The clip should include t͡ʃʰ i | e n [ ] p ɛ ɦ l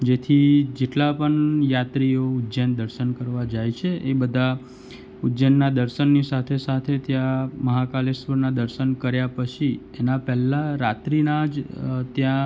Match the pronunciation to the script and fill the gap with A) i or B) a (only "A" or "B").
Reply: B